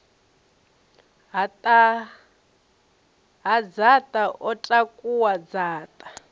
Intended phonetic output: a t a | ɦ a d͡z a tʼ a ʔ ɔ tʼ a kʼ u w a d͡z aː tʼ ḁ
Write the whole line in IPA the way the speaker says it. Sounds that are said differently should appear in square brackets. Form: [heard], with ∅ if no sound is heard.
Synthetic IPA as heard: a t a | ɦ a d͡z a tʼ a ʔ ɔ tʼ a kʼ u w a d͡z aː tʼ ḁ

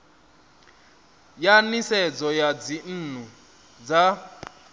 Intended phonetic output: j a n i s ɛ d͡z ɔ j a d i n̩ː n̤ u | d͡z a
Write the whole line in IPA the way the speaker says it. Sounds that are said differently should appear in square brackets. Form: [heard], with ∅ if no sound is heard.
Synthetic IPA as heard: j a n i s ɛ d͡z ɔ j a [d͡z] i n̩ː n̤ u | d͡z a

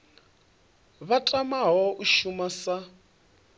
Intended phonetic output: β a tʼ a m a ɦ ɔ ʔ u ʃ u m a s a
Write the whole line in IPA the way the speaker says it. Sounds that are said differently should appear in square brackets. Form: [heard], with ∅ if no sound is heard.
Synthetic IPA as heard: β a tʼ a m a ɦ ɔ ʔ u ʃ u m a s a

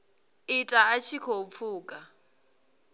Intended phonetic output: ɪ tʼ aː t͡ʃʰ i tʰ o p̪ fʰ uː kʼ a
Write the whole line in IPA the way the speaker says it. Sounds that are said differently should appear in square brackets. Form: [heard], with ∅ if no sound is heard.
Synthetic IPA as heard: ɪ tʼ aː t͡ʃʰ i [kʰ] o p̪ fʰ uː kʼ a

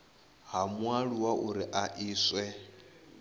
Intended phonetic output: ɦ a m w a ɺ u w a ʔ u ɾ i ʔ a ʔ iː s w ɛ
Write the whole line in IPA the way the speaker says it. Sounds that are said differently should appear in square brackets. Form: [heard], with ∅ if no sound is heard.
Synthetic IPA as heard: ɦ a m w a ɺ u w a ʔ u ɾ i ʔ a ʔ iː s w ɛ

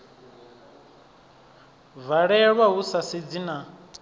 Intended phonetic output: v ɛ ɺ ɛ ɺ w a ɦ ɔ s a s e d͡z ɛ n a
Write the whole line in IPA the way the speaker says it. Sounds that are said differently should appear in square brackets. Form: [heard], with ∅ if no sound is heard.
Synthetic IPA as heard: v [a] ɺ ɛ ɺ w a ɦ [u] s a s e d͡z [i] n a

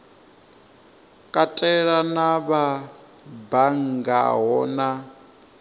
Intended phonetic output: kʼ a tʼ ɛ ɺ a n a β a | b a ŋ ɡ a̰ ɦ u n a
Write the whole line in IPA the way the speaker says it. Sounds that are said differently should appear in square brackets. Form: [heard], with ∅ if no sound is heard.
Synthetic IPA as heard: kʼ a tʼ ɛ ɺ a n a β a | b a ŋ ɡ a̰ ɦ [ɔ] n a

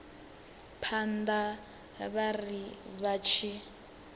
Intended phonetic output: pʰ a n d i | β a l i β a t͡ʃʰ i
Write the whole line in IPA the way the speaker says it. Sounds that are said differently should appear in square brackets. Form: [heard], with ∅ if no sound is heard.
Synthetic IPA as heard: pʰ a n d [a] | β a [r] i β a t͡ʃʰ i

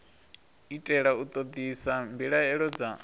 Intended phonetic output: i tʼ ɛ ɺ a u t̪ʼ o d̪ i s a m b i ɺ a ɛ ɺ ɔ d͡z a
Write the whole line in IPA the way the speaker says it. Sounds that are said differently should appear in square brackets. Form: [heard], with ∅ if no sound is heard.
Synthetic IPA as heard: i tʼ ɛ ɺ a u t̪ʼ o d̪ i s a m b i ɺ a ɛ ɺ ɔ d͡z a

